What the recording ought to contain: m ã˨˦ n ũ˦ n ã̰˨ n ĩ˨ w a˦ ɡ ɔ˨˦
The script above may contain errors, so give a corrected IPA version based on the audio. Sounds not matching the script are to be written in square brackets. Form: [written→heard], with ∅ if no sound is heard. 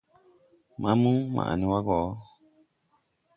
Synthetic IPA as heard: m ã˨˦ [n→m] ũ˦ [n→m] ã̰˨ n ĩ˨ w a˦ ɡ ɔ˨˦